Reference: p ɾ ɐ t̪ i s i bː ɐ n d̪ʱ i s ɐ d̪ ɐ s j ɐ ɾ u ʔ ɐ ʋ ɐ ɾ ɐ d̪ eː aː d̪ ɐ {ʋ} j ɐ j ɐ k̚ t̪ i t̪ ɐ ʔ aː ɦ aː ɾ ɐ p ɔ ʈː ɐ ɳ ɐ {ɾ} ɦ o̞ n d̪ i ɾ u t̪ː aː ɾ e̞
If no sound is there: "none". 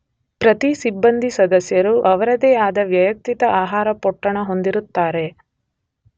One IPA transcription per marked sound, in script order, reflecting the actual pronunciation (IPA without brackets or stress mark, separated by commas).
ʋ, none